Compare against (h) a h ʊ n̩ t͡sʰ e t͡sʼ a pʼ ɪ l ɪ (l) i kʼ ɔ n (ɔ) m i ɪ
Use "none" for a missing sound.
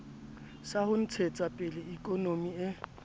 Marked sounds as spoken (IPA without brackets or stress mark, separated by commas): s, none, o